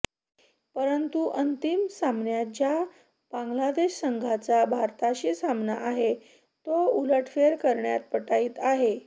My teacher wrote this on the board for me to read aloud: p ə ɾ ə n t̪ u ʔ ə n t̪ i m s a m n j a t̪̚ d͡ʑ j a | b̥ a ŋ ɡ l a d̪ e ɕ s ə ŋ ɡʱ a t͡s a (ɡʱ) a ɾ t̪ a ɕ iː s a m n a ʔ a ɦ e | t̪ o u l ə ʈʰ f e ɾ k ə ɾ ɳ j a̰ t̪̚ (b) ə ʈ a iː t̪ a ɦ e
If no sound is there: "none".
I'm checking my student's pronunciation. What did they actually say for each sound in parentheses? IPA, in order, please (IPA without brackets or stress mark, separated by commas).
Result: bʱ, p